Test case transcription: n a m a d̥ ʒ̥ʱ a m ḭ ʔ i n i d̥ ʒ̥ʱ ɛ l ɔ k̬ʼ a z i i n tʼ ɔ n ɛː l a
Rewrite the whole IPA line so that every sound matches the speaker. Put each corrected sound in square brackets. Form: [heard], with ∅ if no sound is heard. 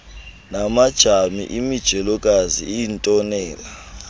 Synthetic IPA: n a m a d̥ ʒ̥ʱ a m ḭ ʔ i [m] i d̥ ʒ̥ʱ ɛ l ɔ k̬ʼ a z i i n tʼ ɔ n ɛː l a

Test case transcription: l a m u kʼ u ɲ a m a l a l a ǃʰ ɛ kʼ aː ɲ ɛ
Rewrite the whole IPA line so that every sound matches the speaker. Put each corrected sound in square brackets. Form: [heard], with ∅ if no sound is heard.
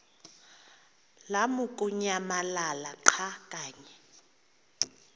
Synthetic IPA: l a m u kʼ u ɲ a m a l a l a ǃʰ [a] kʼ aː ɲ ɛ

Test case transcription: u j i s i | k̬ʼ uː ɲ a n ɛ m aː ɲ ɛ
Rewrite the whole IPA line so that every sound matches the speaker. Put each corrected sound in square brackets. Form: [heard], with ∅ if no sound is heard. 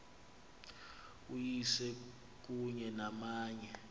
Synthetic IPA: u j i s [ɛ] | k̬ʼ [u] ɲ [ɛ] n [a] m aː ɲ ɛ

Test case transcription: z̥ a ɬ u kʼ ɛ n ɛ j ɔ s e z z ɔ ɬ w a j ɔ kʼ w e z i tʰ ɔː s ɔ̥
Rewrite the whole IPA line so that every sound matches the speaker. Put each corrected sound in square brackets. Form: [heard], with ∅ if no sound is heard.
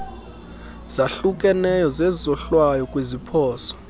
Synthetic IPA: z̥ a ɬ u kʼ ɛ n ɛ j ɔ [z] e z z ɔ ɬ w a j ɔ kʼ w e z i [pʰ] ɔː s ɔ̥

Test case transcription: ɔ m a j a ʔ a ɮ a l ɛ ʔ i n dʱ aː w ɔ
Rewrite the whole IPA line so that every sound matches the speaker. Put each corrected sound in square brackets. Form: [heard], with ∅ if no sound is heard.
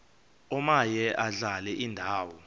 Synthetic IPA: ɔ m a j [ɛ] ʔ a ɮ a l ɛ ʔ i n dʱ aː w ɔ

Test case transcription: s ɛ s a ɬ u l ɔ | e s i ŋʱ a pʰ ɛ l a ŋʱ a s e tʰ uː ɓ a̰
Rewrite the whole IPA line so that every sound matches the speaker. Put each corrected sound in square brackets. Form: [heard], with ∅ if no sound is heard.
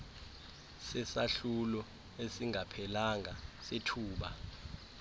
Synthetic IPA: s ɛ s a ɬ u l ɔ | e s i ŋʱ a pʰ ɛ l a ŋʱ a s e tʰ uː ɓ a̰

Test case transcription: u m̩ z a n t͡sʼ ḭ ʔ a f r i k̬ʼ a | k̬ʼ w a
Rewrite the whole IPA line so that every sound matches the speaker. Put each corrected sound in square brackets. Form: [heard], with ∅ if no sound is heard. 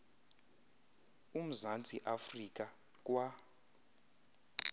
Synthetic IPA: u m̩ z a n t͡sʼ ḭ ʔ a f r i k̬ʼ a | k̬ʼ w a

